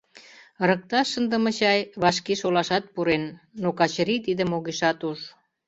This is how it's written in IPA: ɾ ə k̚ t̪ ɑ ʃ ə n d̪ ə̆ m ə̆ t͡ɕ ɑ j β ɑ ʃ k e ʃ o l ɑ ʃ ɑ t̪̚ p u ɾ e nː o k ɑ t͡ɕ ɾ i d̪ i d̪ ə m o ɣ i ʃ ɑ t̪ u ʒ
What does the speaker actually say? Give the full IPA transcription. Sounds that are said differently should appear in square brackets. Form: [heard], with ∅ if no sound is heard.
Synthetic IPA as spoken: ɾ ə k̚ t̪ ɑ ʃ ə n d̪ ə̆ m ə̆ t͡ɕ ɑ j β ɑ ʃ k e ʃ o l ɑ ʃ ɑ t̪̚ p u ɾ e nː o k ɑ t͡ɕ ɾ i [t̪] i d̪ ə m o ɣ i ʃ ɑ t̪ u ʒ

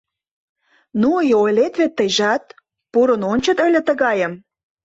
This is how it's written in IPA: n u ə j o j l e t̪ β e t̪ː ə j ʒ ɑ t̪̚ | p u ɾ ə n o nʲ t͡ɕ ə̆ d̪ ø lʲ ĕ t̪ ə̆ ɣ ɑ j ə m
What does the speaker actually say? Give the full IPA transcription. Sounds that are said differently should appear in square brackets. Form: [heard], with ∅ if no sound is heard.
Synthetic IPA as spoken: n u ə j o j l e t̪ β e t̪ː ə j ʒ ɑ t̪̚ | p u ɾ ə n o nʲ t͡ɕ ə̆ [t̪] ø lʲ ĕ t̪ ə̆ ɣ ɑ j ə m

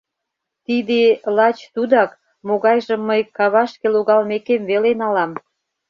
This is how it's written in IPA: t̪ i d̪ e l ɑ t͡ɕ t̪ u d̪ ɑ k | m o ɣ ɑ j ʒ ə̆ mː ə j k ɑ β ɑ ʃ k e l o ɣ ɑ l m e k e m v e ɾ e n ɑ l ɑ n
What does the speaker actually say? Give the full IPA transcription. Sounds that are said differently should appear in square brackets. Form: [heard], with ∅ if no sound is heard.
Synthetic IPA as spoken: t̪ i d̪ e l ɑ t͡ɕ t̪ u d̪ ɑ k | m o ɣ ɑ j ʒ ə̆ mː ə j k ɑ β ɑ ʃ k e l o ɣ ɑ l m e k e m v e [l] e n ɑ l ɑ [m]

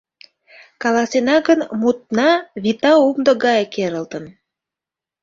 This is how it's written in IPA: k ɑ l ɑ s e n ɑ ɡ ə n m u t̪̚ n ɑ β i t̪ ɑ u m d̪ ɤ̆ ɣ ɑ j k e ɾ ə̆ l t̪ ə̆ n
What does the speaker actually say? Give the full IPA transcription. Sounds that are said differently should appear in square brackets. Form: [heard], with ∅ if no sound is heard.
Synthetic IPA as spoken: k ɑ l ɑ s e n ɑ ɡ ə n m u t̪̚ n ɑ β i t̪ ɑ u m d̪ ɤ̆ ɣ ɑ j k e ɾ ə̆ l t̪ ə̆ n

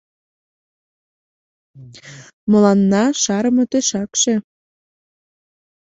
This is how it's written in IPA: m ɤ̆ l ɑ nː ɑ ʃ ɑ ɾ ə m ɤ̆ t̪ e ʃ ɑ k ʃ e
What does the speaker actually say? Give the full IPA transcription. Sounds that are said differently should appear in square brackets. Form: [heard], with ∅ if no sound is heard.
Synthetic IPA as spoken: m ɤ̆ l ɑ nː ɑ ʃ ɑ ɾ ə m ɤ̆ t̪ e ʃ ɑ k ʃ e

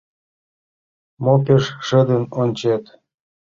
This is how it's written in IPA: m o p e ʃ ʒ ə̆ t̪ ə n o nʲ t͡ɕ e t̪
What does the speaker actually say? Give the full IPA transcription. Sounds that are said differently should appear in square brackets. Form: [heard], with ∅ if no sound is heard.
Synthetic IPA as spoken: m o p e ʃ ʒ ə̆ [d̪] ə n o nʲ t͡ɕ e t̪

